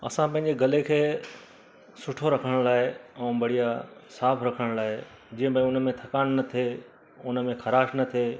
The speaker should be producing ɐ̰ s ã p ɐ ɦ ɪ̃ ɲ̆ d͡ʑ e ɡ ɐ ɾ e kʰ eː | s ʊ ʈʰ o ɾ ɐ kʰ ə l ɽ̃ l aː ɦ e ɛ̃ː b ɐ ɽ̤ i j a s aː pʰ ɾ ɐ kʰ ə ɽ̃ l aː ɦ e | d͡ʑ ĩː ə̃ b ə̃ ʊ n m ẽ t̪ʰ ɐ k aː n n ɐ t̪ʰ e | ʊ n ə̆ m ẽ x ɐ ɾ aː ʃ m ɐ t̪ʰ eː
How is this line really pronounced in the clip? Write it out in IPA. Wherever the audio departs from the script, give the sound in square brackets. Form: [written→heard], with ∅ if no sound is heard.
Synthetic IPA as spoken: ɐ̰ s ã p [ɐ→ɐ̃] ɦ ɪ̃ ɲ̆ d͡ʑ e ɡ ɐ [ɾ→l] e kʰ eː | s ʊ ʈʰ o ɾ ɐ kʰ ə [l→∅] ɽ̃ l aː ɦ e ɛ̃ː b ɐ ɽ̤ i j a s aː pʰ ɾ ɐ kʰ ə ɽ̃ l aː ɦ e | d͡ʑ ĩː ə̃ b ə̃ ʊ n m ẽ t̪ʰ ɐ k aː n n ɐ t̪ʰ e | ʊ n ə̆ m ẽ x ɐ ɾ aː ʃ [m→n] ɐ t̪ʰ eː